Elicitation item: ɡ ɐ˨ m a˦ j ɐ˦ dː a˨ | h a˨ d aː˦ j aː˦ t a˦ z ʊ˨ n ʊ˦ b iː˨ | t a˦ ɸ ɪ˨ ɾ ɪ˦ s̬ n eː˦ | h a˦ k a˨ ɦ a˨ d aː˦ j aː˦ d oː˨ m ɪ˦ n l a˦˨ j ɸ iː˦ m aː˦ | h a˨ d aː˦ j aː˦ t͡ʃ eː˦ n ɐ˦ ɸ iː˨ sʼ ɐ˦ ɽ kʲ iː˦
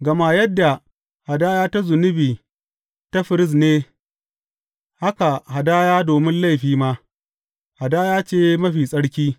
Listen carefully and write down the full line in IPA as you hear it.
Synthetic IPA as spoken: ɡ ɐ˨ m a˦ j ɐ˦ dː a˨ | h a˨ d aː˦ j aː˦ t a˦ z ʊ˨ n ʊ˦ b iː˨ | t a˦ ɸ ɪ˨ ɾ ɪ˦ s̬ n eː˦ | h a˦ k a˨ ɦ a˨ d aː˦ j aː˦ d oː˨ m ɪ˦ n l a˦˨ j ɸ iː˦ m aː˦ | h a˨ d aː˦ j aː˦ t͡ʃ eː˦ m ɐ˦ ɸ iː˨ sʼ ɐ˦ ɽ kʲ iː˦